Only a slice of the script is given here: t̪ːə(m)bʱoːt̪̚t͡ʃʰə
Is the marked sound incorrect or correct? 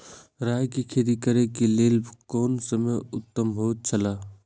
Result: correct